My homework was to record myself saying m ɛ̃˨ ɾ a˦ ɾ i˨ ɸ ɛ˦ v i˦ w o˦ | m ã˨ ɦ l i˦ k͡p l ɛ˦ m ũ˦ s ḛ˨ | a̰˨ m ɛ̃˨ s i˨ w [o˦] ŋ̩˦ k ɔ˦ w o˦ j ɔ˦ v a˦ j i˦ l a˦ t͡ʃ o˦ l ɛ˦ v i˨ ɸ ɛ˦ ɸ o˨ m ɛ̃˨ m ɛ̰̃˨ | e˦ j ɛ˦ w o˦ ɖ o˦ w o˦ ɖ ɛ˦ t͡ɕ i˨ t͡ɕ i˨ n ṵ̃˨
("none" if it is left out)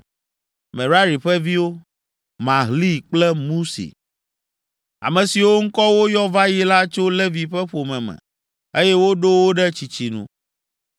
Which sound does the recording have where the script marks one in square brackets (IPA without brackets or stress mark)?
o˦